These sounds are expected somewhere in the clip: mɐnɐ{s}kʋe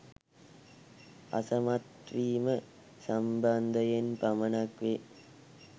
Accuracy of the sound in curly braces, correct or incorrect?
incorrect